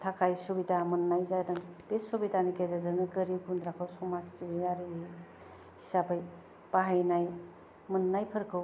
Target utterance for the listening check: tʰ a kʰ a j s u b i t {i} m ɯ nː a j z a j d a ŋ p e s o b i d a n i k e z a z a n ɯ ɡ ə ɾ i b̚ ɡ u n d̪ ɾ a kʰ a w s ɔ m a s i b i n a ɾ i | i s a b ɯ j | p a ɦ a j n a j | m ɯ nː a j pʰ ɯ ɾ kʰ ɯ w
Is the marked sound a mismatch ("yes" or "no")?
yes